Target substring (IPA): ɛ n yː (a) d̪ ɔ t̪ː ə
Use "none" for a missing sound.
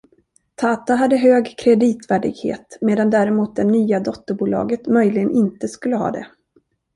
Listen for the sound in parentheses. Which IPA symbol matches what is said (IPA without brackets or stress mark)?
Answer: a